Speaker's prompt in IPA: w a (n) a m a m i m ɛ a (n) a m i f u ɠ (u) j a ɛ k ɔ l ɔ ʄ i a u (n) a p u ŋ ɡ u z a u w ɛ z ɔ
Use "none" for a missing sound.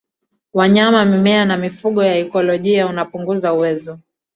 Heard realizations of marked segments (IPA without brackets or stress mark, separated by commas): ɲ, n, ɔ, n